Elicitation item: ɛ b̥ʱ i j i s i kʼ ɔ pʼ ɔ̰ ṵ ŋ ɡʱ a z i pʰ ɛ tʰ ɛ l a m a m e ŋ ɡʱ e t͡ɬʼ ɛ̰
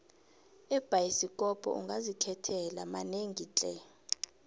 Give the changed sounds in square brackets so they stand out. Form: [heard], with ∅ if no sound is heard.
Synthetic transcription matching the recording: ɛ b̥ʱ [a] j i s i kʼ ɔ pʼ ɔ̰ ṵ ŋ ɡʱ a z i [kʰ] ɛ tʰ ɛ l a m a [n] e ŋ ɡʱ [i] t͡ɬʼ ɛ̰